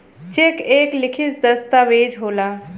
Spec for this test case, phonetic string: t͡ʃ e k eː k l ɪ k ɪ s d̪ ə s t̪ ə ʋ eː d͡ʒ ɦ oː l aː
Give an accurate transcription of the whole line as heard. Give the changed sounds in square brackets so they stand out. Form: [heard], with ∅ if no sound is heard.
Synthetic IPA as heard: t͡ʃ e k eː k l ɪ [kʰ] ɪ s d̪ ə s t̪ [a] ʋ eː d͡ʒ ɦ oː l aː